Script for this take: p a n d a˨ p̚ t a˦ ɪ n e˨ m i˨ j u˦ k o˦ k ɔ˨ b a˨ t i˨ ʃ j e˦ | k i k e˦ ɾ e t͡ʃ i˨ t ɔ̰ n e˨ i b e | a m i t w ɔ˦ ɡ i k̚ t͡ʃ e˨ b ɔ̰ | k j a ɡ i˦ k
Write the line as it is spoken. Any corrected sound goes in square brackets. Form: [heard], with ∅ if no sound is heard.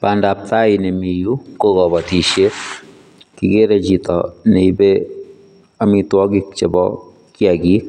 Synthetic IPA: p a n d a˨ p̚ t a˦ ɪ n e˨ m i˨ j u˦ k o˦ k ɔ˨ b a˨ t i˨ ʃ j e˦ | k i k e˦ ɾ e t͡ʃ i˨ t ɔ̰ n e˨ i b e | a m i t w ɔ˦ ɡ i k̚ t͡ʃ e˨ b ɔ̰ | k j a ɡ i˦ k

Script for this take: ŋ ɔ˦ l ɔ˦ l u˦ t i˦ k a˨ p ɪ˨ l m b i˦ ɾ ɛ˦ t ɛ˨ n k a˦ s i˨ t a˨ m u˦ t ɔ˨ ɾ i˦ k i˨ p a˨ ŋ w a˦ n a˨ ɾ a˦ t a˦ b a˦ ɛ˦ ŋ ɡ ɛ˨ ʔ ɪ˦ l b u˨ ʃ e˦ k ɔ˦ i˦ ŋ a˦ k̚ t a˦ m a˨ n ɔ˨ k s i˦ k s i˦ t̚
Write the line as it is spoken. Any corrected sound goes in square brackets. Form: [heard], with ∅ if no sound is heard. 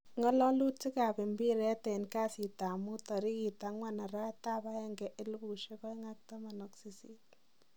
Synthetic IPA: ŋ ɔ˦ l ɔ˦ l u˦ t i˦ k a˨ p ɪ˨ [∅] m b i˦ ɾ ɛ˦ t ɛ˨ n k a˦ s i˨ t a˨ m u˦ t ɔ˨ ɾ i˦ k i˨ [t] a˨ ŋ w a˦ n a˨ ɾ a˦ t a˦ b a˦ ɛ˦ ŋ ɡ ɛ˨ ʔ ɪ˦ l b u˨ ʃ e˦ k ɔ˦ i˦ ŋ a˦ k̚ t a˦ m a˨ n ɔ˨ k s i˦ [∅] s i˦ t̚

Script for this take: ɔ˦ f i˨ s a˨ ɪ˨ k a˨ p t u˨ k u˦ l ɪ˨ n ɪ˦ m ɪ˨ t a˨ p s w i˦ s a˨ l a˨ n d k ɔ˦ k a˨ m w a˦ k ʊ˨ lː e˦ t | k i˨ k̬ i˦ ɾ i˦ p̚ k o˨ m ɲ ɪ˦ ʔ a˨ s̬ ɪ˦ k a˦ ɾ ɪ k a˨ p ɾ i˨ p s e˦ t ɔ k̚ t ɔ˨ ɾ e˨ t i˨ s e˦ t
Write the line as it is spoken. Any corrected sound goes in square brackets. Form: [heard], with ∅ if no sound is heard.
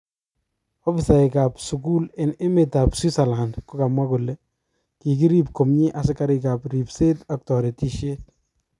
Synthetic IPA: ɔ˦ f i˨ s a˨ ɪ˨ k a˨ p [s] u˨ k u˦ l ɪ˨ n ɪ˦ m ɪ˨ t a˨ p s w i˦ s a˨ l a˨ n d k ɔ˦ k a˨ m w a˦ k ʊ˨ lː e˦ [∅] | k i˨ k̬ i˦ ɾ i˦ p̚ k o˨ m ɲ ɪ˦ ʔ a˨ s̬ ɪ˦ k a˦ ɾ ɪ k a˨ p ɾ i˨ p s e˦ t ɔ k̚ t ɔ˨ ɾ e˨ t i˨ [ʃ] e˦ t

